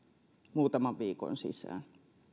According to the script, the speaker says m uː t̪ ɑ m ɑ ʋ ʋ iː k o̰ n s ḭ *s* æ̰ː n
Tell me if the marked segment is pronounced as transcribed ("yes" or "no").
yes